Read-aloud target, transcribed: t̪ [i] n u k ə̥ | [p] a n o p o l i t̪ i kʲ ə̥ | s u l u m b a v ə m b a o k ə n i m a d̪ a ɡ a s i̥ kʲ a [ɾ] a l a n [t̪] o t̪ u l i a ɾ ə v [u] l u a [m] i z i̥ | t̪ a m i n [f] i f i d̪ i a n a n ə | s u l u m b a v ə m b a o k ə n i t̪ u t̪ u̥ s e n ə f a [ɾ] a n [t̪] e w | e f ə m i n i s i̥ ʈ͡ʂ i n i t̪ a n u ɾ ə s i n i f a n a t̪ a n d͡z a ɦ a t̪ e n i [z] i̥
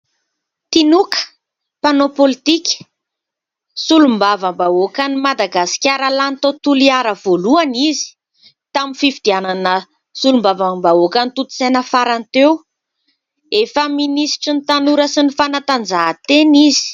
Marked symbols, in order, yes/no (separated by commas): yes, yes, yes, yes, no, no, yes, yes, yes, yes